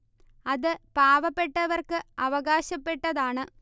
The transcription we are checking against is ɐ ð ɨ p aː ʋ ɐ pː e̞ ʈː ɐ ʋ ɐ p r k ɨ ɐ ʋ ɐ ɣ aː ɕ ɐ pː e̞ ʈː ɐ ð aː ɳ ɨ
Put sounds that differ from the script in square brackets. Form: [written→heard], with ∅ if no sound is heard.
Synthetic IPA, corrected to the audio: ɐ ð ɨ p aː ʋ ɐ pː e̞ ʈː ɐ ʋ ɐ [p→∅] r k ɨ ɐ ʋ ɐ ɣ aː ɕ ɐ pː e̞ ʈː ɐ ð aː ɳ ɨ